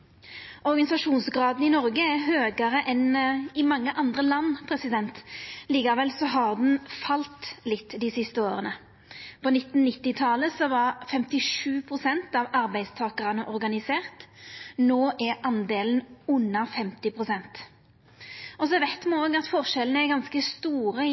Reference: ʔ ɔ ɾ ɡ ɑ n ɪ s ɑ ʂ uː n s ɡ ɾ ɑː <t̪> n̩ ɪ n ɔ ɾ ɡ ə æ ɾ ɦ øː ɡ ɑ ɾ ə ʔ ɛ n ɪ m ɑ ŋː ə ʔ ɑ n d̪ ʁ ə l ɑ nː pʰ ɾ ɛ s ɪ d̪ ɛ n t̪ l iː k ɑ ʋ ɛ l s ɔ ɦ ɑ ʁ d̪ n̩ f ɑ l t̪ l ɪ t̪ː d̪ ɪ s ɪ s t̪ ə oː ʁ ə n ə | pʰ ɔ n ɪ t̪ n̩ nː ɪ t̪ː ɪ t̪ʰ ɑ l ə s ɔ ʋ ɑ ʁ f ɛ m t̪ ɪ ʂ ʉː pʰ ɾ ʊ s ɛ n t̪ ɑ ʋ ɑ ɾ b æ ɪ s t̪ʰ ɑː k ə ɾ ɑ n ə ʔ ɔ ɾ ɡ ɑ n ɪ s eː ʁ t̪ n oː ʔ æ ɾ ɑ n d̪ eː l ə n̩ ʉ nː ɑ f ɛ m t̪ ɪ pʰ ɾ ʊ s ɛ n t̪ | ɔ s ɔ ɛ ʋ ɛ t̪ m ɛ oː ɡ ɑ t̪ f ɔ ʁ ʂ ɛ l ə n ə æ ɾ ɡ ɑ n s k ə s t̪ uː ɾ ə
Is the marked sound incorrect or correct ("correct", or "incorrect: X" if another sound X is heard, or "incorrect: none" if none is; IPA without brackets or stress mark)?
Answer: incorrect: d̪